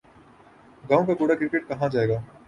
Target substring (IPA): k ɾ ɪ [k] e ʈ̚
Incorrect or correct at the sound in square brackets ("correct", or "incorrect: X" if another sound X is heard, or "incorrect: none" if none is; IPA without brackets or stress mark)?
correct